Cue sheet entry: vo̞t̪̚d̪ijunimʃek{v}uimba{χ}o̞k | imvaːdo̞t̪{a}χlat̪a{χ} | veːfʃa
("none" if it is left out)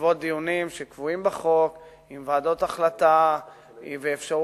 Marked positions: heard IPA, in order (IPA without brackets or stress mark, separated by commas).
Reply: v, χ, a, none